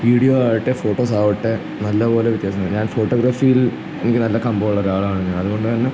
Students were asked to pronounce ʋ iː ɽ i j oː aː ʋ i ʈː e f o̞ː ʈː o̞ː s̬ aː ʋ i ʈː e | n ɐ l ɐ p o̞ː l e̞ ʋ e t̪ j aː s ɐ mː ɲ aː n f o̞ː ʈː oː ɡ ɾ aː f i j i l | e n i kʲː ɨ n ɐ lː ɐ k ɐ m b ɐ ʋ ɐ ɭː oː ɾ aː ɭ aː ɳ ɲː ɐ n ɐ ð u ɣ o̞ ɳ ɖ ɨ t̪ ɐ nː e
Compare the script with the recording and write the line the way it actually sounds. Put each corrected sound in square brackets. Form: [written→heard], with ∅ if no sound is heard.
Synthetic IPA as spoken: ʋ iː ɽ i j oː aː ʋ i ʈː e f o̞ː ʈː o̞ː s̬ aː ʋ i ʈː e | n ɐ [l→lː] ɐ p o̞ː l e̞ ʋ [e→i] t̪ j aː s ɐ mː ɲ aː n f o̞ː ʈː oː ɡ ɾ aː f i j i l | e n i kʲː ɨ n ɐ lː ɐ k ɐ m b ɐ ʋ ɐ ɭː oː ɾ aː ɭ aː ɳ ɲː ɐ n ɐ ð u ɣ o̞ ɳ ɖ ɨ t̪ ɐ nː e